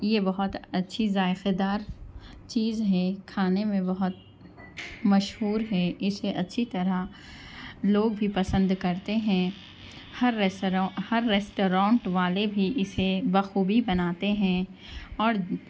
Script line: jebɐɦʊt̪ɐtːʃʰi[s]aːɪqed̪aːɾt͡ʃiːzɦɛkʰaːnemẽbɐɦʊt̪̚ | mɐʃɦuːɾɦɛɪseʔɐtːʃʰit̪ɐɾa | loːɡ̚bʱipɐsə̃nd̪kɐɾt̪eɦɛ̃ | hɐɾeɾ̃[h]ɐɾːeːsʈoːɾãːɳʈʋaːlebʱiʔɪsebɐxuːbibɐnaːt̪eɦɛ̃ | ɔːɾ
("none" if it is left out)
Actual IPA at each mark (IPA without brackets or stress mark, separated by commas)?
z, h